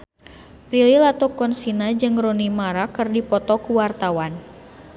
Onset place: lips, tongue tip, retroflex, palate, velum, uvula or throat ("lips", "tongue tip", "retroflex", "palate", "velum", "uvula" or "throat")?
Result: lips